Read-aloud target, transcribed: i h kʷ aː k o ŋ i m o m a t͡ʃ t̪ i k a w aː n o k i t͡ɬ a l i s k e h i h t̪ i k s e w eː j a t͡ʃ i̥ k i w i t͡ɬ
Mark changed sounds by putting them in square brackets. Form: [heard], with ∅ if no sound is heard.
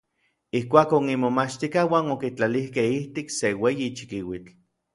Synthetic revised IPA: i h kʷ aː k o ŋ i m o m a t͡ʃ t̪ i k a w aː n o k i t͡ɬ a l i [h] k e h i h t̪ i k s e w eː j [i] t͡ʃ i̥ k i w i t͡ɬ